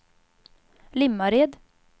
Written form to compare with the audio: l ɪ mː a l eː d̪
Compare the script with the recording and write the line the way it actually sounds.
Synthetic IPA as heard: l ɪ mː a ɾ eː d̪